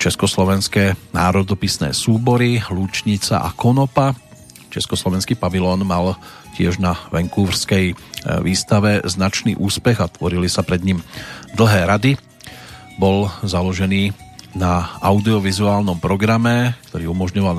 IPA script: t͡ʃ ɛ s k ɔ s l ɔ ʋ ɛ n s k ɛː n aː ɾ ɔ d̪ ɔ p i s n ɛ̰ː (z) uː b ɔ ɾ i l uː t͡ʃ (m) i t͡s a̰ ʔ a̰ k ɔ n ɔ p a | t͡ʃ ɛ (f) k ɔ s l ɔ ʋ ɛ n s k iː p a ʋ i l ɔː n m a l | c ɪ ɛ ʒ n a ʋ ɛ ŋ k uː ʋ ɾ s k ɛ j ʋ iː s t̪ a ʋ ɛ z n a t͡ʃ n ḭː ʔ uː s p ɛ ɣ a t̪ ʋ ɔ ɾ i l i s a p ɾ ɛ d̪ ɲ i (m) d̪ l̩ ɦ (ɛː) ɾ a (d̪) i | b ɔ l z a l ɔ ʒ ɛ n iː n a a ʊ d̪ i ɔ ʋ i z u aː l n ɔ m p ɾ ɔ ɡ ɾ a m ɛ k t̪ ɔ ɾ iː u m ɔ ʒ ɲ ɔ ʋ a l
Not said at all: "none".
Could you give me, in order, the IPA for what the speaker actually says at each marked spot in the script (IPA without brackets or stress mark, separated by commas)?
s, ɲ, s, m, ɛː, d̪